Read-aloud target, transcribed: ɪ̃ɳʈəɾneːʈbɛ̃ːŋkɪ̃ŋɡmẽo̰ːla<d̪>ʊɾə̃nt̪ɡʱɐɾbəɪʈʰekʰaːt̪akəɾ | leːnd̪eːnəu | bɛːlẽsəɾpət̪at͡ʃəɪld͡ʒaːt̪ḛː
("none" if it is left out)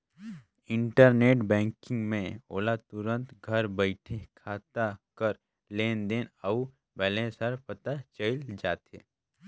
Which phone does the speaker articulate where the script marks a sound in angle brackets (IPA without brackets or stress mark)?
t̪